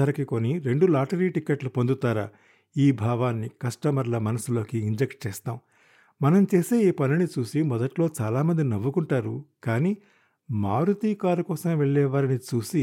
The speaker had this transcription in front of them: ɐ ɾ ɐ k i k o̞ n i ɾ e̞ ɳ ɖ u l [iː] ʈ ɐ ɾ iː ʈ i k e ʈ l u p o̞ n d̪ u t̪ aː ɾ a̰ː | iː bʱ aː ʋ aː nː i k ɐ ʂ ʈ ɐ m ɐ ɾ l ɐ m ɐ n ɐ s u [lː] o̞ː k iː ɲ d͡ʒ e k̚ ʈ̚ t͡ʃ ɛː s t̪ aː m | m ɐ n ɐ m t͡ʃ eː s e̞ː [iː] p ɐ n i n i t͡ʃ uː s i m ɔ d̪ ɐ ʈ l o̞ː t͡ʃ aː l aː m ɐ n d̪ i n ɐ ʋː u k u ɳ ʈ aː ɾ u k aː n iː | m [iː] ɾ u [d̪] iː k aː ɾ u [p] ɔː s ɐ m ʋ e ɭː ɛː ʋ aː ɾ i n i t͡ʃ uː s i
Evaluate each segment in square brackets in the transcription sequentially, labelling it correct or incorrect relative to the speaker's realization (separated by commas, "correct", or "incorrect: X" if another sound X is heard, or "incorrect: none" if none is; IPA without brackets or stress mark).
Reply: incorrect: aː, incorrect: l, correct, incorrect: aː, incorrect: t̪, incorrect: k